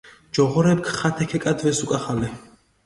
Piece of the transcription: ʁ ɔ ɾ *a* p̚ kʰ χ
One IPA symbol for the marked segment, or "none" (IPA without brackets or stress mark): ɛ